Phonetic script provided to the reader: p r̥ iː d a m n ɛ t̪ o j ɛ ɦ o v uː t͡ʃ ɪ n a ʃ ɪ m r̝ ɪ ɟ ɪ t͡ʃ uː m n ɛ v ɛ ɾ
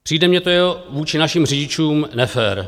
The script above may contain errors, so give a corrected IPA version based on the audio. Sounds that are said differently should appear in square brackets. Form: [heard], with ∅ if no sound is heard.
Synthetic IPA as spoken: p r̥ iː d [ɛ] m [ɲ] ɛ t̪ o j ɛ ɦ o v uː t͡ʃ ɪ n a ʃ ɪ m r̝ ɪ ɟ ɪ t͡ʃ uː m n ɛ [f] ɛ ɾ